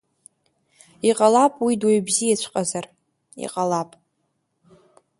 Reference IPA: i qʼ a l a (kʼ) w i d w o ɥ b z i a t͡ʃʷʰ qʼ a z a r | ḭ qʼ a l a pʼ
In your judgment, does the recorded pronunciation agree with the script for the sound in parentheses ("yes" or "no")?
no